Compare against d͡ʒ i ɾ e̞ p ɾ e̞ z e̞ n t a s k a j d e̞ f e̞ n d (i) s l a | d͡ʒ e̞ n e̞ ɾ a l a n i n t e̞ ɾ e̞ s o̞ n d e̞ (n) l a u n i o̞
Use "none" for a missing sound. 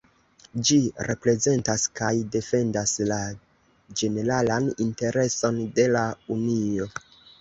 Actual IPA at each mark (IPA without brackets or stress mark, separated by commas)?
a, none